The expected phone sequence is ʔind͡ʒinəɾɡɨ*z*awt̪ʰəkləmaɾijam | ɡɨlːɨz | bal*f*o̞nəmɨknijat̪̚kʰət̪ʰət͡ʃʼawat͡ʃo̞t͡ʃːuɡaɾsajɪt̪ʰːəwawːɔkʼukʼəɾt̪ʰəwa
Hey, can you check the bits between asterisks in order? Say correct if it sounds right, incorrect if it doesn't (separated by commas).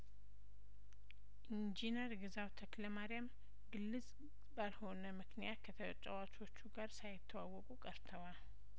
correct, incorrect